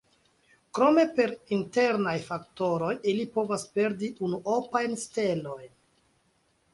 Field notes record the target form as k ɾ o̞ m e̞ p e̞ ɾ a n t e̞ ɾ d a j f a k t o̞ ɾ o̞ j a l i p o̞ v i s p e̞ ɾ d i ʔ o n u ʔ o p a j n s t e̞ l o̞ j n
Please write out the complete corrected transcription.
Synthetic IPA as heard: k ɾ o̞ m e̞ p e̞ ɾ i n t e̞ ɾ n a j f a k t o̞ ɾ o̞ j i l i p o̞ v a s p e̞ ɾ d i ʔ u n u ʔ o p a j n s t e̞ l o̞ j n

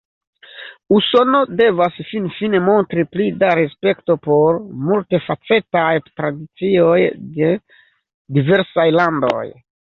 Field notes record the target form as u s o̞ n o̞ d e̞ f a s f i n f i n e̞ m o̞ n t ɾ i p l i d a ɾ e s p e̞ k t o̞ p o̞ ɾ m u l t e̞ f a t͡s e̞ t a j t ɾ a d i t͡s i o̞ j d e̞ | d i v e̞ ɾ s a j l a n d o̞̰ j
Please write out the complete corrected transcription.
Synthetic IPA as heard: u s o̞ n o̞ d e̞ v a s f i n f i n e̞ m o̞ n t ɾ i p l i d a ɾ e s p e̞ k t o̞ p o̞ ɾ m u l t e̞ f a t͡s e̞ t a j t ɾ a d i t͡s i o̞ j d e̞ | d i v e̞ ɾ s a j l a n d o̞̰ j

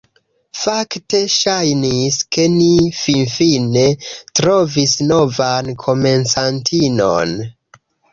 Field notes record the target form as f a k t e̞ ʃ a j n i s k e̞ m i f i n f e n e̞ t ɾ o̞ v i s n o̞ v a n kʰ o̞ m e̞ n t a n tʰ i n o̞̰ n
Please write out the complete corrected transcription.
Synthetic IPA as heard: f a k t e̞ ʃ a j n i s k e̞ n i f i n f i n e̞ t ɾ o̞ v i s n o̞ v a n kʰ o̞ m e̞ n s a n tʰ i n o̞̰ n

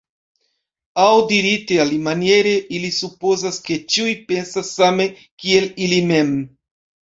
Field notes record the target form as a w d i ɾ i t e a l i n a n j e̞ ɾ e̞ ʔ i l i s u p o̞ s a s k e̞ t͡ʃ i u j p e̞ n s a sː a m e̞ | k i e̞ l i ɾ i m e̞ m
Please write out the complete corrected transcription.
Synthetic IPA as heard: a w d i ɾ i t e a l i m a n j e̞ ɾ e̞ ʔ i l i s u p o̞ z a s k e̞ t͡ʃ i u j p e̞ n s a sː a m e̞ | k i e̞ l i l i m e̞ m

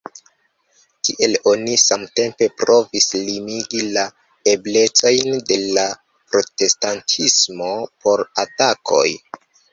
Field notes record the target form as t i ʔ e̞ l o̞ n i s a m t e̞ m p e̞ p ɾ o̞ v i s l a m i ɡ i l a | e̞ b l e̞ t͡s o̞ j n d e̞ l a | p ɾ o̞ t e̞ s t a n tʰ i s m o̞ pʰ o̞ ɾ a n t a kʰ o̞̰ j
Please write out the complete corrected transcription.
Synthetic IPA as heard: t i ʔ e̞ l o̞ n i s a m t e̞ m p e̞ p ɾ o̞ v i s l i m i ɡ i l a | e̞ b l e̞ t͡s o̞ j n d e̞ l a | p ɾ o̞ t e̞ s t a n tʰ i s m o̞ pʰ o̞ ɾ a t a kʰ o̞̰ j

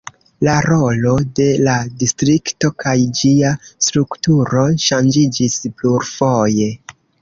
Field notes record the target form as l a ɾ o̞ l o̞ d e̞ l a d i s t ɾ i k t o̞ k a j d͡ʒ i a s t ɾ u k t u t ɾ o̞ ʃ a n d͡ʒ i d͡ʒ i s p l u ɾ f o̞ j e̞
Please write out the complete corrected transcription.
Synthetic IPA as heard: l a ɾ o̞ l o̞ d e̞ l a d i s t ɾ i k t o̞ k a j d͡ʒ i a s t ɾ u k t u ɾ o̞ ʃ a n d͡ʒ i d͡ʒ i s p l u ɾ f o̞ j e̞

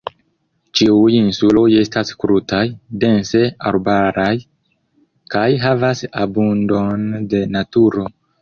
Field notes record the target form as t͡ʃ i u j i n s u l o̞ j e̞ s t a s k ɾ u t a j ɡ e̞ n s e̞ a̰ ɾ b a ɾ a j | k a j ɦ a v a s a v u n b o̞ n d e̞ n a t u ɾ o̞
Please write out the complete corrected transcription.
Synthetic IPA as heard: t͡ʃ i u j i n s u l o̞ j e̞ s t a s k ɾ u t a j d e̞ n s e̞ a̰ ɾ b a ɾ a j | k a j ɦ a v a s a b u n d o̞ n d e̞ n a t u ɾ o̞

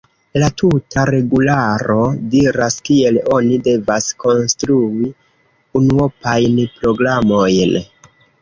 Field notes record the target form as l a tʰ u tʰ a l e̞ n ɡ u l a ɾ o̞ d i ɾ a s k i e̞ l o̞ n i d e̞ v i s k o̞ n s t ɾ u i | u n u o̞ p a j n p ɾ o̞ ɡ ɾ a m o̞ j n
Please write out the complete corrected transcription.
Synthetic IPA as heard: l a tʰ u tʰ a ɾ e̞ ɡ u l a ɾ o̞ d i ɾ a s k i e̞ l o̞ n i d e̞ v a s k o̞ n s t ɾ u i | u n u o̞ p a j n p ɾ o̞ ɡ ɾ a m o̞ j n

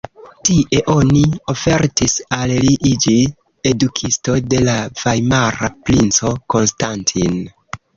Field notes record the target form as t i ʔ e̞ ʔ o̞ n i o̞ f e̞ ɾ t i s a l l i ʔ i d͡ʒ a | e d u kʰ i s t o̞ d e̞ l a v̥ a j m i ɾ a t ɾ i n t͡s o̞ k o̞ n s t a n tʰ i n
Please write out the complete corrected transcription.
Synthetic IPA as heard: t i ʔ e̞ ʔ o̞ n i o̞ f e̞ ɾ t i s a l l i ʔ i d͡ʒ i | e d u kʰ i s t o̞ d e̞ l a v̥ a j m a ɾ a p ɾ i n t͡s o̞ k o̞ n s t a n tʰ i n

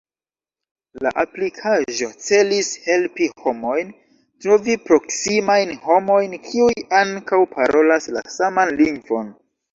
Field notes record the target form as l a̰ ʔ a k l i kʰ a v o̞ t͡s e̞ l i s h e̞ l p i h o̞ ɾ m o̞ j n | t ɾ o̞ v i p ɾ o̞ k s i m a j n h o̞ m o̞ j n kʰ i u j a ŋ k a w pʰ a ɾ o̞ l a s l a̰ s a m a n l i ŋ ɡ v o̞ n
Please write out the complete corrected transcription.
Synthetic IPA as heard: l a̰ ʔ a p l i kʰ a ʒ o̞ t͡s e̞ l i s h e̞ l p i h o̞ m o̞ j n | t ɾ o̞ v i p ɾ o̞ k s i m a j n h o̞ m o̞ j n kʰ i u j a ŋ k a w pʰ a ɾ o̞ l a s l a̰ s a m a n l i ŋ ɡ v o̞ n

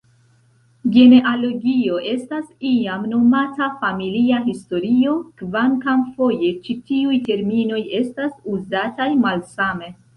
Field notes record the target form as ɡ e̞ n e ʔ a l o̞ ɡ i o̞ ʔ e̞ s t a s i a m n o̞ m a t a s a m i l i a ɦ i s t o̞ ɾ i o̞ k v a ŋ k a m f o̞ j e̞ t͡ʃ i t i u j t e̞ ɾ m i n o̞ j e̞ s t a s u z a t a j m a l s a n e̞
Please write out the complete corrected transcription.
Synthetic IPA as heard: ɡ e̞ n e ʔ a l o̞ ɡ i o̞ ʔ e̞ s t a s i a m n o̞ m a t a f a m i l i a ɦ i s t o̞ ɾ i o̞ k v a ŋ k a m f o̞ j e̞ t͡ʃ i t i u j t e̞ ɾ m i n o̞ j e̞ s t a s u z a t a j m a l s a m e̞

